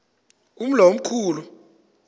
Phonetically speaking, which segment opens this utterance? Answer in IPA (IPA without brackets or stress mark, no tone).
u